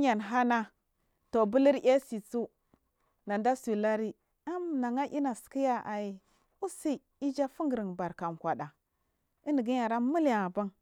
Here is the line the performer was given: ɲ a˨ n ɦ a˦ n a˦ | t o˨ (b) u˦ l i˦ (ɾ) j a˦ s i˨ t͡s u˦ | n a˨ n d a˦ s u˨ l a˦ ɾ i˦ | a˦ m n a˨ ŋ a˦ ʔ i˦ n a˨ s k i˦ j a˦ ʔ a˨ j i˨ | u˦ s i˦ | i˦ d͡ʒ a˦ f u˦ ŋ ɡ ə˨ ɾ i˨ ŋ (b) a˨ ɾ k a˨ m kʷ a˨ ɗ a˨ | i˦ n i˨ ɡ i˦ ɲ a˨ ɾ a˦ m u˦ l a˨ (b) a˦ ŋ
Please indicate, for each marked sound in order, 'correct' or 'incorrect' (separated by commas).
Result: correct, correct, correct, correct